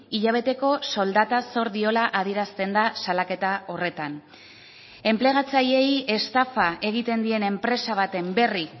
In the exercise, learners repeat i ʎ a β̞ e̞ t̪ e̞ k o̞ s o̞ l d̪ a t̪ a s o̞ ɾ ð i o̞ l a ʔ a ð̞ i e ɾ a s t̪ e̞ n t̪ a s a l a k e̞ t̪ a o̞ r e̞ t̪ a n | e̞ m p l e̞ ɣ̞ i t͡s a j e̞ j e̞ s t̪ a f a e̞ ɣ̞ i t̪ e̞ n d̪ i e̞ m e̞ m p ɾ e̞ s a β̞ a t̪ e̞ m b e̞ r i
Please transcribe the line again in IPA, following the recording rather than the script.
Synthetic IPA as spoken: i ʎ a β̞ e̞ t̪ e̞ k o̞ s o̞ l d̪ a t̪ a s o̞ ɾ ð i o̞ l a ʔ a ð̞ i e ɾ a s t̪ e̞ n d̪ a s a l a k e̞ t̪ a o̞ r e̞ t̪ a n | e̞ m p l e̞ ɣ̞ a t͡s a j e̞ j e̞ s t̪ a f a e̞ ɣ̞ i t̪ e̞ n d̪ i e̞ n e̞ m p ɾ e̞ s a β̞ a t̪ e̞ m b e̞ r i